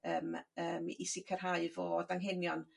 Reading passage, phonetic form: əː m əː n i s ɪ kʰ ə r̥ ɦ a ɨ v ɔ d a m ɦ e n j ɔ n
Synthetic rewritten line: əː m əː m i s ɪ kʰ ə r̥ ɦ a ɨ v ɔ d a ŋ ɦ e n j ɔ n